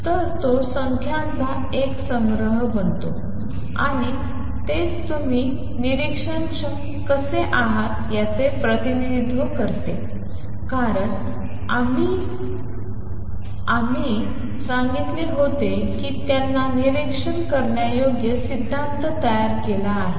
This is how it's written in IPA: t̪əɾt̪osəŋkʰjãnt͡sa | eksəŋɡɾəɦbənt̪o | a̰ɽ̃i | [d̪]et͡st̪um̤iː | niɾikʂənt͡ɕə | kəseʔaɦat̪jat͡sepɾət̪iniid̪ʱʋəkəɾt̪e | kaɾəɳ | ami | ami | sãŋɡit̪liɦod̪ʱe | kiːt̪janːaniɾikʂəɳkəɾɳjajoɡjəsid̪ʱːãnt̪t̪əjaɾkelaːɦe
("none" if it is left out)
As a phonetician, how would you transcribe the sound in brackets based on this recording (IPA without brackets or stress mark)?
t̪